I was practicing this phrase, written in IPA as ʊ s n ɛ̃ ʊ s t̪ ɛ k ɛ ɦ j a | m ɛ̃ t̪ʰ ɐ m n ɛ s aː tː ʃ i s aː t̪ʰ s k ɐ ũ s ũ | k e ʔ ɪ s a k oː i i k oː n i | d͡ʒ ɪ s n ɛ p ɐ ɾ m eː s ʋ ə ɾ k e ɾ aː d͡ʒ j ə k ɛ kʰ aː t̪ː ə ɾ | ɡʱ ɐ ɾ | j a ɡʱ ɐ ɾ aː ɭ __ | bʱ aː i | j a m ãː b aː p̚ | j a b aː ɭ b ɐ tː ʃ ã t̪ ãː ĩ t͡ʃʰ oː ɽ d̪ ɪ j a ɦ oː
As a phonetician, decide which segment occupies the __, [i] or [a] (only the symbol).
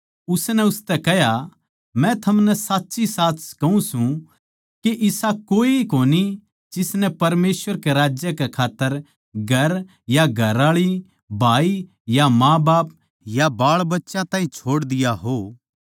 i